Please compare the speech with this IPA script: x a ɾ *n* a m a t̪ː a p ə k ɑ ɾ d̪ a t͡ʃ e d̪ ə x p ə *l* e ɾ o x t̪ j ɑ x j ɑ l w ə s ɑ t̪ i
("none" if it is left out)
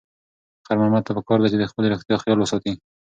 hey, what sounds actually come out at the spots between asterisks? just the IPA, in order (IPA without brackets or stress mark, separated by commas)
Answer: m, l